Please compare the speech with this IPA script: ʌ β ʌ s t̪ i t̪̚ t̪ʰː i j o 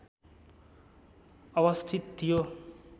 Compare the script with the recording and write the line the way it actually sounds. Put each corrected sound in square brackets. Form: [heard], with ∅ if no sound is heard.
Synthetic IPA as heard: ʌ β ʌ s [t̪ʰ] i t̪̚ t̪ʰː i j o